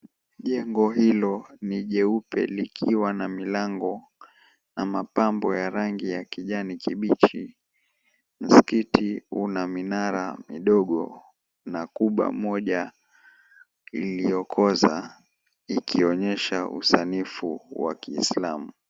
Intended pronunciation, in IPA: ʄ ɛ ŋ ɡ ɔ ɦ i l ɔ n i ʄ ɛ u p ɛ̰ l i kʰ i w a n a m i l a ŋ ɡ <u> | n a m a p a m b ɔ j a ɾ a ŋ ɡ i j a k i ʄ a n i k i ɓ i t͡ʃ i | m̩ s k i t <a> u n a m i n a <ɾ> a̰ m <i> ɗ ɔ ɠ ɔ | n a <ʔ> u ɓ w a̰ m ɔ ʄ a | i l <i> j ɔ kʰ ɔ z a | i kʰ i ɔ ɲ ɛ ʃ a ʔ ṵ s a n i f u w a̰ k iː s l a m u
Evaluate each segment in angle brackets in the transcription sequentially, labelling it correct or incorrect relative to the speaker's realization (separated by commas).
incorrect, incorrect, correct, correct, incorrect, correct